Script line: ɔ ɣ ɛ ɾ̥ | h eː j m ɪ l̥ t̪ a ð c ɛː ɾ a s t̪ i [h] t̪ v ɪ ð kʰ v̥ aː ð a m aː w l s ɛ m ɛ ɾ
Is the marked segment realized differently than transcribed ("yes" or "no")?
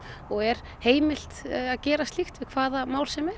yes